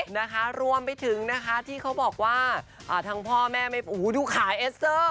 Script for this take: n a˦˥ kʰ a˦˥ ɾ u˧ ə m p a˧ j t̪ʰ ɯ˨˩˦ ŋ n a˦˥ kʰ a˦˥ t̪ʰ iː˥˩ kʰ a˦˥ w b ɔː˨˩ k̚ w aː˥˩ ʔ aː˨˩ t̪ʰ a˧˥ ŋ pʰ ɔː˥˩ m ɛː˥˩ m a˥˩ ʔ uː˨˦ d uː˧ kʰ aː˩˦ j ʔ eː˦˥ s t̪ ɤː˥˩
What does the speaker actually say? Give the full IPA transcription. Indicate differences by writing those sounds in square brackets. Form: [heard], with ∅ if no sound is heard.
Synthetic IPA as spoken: n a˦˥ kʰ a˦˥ ɾ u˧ ə m p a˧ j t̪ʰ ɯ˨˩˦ ŋ n a˦˥ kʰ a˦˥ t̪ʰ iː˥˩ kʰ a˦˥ w b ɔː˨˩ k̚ w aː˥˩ ʔ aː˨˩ t̪ʰ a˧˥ ŋ pʰ ɔː˥˩ m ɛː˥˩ m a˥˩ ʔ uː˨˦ d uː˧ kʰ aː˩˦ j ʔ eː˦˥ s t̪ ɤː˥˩